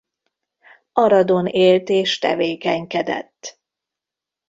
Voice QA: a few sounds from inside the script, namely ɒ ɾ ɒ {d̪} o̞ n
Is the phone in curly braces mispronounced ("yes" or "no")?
no